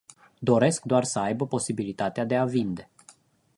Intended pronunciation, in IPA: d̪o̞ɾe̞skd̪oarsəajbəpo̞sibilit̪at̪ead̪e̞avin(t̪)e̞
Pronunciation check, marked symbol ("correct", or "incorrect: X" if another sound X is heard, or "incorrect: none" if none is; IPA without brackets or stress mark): incorrect: d̪